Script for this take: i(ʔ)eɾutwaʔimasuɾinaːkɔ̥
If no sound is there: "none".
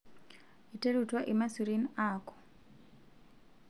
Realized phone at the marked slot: t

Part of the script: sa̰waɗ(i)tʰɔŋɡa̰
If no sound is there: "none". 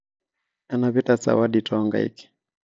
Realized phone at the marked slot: i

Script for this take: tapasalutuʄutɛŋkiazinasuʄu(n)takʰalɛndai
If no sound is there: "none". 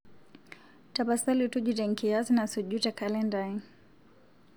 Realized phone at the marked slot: none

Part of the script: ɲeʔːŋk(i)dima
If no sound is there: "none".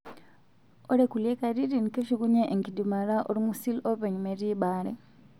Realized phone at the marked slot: i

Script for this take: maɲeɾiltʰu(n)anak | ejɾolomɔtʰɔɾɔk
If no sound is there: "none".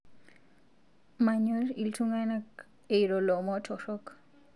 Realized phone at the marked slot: ŋ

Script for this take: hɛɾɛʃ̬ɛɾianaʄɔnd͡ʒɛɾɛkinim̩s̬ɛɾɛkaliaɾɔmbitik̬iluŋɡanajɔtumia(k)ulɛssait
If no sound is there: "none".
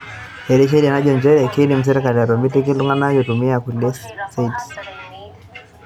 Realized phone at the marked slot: k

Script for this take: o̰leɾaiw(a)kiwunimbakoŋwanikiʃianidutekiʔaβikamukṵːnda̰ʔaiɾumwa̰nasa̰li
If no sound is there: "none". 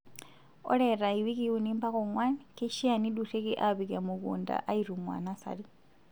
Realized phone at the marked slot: i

